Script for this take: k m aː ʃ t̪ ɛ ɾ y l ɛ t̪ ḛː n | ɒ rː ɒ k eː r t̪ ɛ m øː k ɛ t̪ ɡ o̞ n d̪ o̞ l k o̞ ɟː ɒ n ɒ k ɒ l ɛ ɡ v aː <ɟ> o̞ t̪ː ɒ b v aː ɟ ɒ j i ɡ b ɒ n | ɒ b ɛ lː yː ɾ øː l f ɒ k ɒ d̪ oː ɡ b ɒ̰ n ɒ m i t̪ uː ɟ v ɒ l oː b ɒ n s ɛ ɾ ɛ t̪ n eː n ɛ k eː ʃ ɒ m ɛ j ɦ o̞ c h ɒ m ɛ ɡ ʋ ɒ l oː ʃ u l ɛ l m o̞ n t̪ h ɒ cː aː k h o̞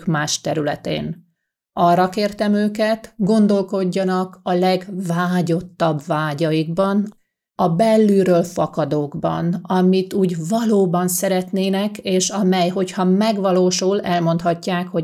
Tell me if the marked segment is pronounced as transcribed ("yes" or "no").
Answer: yes